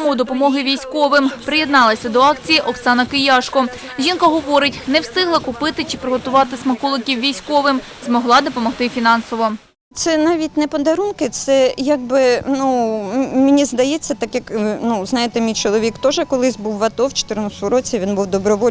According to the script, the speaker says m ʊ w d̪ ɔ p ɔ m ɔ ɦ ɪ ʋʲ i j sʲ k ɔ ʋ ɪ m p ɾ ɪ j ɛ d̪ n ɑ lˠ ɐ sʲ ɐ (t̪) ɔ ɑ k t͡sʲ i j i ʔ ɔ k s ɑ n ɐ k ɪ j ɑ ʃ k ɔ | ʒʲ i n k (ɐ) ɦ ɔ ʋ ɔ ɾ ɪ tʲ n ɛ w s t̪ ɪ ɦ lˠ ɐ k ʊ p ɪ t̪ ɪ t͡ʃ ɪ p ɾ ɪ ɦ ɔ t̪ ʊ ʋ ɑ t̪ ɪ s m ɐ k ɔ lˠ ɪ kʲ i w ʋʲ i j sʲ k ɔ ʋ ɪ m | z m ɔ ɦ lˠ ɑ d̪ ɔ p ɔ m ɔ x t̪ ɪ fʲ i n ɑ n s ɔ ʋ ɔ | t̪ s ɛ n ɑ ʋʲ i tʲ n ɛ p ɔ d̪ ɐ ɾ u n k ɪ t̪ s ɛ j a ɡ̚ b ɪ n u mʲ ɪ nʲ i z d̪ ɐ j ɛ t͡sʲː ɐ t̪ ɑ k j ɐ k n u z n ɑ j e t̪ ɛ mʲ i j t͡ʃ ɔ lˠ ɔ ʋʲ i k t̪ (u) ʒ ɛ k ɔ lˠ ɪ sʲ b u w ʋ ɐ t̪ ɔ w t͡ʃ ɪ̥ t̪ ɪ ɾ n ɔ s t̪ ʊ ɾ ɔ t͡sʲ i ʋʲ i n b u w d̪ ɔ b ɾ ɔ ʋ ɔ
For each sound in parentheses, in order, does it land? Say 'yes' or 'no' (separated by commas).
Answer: no, yes, no